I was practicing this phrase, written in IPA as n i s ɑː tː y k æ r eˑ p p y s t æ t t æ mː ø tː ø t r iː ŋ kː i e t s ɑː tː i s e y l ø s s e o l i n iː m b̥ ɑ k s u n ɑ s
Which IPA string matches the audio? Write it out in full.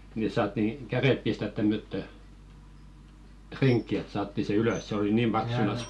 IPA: n i s ɑː tː i k æ r eˑ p p i s t æ t t æ mː ø tː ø t r i ŋ kː i e t s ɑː tː i s e y l ø s s e o l i n iː m b̥ ɑ k s u n ɑ s